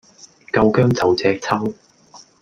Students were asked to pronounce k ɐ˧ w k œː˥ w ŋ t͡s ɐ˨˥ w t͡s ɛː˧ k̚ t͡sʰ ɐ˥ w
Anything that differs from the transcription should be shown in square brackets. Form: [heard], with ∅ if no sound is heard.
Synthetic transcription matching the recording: k ɐ˧ w k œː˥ [∅] ŋ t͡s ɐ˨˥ w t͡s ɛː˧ k̚ t͡sʰ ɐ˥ w